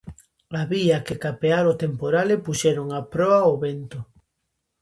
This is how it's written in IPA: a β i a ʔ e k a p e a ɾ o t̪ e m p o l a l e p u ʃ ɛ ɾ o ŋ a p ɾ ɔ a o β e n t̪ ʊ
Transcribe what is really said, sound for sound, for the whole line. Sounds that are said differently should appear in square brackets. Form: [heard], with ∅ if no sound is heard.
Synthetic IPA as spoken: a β i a [k] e k a p e a ɾ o t̪ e m p o [ɾ] a l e p u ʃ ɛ ɾ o ŋ a p ɾ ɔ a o β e n t̪ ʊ